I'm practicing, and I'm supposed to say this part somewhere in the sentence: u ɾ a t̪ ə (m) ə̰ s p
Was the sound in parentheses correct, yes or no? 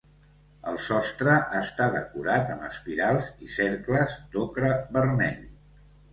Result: yes